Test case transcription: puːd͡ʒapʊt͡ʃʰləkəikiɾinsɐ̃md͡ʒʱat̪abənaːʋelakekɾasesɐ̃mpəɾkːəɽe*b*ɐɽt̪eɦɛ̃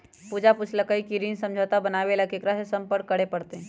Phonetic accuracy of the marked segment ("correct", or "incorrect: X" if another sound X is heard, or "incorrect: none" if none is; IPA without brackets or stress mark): incorrect: p